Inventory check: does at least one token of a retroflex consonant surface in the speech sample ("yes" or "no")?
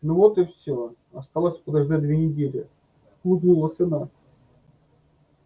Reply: yes